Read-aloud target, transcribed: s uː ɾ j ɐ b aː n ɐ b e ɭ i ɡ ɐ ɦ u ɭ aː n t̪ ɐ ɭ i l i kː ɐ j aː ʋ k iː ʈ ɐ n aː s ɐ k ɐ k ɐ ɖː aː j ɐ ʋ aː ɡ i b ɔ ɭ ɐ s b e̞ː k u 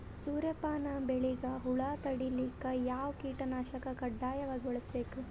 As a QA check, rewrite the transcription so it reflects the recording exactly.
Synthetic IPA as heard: s uː ɾ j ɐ p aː n ɐ b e ɭ i ɡ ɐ ɦ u ɭ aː t̪ ɐ ɽ i l i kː ɐ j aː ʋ k iː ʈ ɐ n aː ʃ ɐ k ɐ k ɐ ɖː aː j ɐ ʋ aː ɡ i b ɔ ɭ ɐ s b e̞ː k u